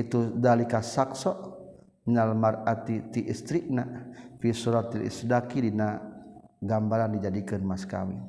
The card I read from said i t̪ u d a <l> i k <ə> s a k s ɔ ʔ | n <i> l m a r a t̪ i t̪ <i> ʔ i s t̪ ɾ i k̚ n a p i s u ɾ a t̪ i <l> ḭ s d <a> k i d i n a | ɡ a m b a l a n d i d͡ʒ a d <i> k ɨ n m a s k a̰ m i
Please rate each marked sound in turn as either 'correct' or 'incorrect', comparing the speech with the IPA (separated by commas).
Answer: correct, incorrect, incorrect, correct, correct, correct, correct